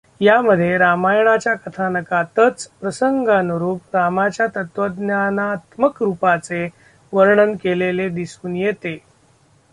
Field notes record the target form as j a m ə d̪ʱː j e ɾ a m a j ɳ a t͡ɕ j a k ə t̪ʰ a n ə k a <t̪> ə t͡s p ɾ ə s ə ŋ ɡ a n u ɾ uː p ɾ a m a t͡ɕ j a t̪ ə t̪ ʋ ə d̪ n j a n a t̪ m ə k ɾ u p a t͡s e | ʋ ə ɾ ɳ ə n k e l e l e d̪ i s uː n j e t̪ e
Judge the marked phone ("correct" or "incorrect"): correct